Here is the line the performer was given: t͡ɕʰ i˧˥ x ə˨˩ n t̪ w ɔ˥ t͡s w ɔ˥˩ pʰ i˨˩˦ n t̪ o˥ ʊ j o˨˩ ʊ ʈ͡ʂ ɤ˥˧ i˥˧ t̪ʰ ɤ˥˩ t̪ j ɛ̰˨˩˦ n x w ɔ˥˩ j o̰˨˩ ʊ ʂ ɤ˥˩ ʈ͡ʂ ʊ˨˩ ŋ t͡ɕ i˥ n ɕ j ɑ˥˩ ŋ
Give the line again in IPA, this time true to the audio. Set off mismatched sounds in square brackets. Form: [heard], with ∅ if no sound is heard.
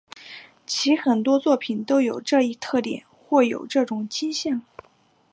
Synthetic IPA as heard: t͡ɕʰ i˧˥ x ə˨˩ n t̪ w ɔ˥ t͡s w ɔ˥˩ pʰ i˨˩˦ n t̪ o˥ ʊ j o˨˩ ʊ ʈ͡ʂ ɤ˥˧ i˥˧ t̪ʰ ɤ˥˩ t̪ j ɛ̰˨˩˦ n x w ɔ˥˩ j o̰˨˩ ʊ [ʈ͡ʂ] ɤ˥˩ ʈ͡ʂ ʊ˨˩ ŋ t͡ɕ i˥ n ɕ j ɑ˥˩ ŋ